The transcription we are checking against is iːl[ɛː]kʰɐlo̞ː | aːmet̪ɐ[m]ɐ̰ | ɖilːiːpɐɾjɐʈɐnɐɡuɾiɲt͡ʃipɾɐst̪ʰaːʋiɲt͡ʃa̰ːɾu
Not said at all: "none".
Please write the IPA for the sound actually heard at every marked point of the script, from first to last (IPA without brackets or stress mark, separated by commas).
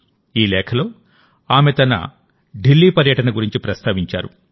ɛː, n